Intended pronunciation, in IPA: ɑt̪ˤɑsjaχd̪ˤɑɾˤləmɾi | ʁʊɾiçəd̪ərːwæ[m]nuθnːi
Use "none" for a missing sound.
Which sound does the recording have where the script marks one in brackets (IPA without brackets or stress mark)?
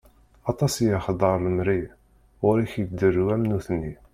m